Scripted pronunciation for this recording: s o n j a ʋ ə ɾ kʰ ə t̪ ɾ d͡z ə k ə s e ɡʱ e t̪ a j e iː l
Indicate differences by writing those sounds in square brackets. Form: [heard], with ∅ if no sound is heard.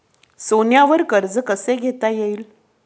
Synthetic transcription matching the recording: s o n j a ʋ ə ɾ [k] ə [∅] ɾ d͡z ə k ə s e ɡʱ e t̪ a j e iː l